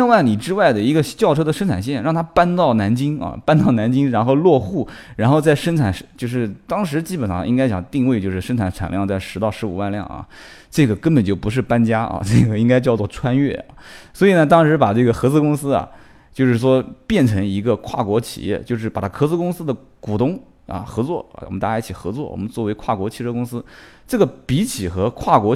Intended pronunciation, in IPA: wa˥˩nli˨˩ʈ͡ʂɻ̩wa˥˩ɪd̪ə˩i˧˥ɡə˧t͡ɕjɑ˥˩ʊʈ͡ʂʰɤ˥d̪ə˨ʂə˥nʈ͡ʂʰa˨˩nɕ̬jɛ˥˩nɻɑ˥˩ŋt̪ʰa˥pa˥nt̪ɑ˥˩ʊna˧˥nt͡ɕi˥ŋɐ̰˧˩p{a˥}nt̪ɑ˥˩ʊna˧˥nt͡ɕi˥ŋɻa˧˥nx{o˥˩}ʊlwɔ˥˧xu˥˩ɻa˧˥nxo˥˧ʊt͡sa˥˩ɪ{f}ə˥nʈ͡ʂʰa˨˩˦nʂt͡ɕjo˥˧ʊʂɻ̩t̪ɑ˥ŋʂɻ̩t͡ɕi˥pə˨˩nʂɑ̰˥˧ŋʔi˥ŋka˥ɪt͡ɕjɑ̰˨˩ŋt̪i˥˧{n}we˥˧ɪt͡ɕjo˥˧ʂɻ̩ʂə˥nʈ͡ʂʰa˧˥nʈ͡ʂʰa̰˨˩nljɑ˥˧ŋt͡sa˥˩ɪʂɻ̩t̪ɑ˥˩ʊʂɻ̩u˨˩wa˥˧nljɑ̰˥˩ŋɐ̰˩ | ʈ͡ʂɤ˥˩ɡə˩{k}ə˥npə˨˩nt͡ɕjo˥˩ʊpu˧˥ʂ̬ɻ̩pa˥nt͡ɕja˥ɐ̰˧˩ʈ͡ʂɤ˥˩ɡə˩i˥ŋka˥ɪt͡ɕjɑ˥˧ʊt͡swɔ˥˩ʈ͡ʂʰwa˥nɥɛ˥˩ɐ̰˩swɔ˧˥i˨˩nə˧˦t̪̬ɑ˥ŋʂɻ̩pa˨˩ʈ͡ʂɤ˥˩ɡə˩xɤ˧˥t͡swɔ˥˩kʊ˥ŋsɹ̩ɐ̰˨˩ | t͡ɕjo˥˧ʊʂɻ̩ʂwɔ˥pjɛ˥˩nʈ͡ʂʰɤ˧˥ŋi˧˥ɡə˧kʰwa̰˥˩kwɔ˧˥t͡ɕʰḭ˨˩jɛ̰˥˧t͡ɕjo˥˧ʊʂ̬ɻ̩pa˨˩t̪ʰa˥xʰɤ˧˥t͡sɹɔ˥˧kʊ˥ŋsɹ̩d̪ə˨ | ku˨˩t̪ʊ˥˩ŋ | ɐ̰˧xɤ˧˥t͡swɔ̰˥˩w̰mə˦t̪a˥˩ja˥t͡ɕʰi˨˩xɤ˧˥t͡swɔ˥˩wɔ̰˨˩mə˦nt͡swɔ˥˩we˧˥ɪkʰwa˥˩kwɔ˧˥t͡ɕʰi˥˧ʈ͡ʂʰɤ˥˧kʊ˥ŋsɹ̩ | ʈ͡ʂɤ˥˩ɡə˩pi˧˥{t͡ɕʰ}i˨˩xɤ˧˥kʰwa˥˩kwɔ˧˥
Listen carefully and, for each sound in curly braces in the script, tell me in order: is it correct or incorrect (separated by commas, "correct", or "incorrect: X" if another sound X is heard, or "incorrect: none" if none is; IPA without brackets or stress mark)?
correct, incorrect: o˥˧, incorrect: ʂ, incorrect: ŋ, correct, correct